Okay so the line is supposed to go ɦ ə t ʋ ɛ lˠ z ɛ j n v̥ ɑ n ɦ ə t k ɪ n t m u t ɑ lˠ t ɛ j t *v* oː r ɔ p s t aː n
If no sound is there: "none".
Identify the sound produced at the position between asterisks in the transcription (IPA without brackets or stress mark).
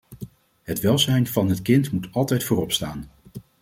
f